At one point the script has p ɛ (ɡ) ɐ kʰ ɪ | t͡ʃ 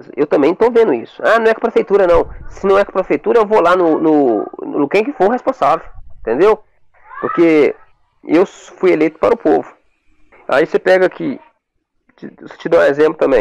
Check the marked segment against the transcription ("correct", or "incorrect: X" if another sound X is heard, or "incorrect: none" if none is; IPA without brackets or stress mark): correct